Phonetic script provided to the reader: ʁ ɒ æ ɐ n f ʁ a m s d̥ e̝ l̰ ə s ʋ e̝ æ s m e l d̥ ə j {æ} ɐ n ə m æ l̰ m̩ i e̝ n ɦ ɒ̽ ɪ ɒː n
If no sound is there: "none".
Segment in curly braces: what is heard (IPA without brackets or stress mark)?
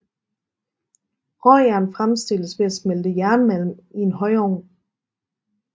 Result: æ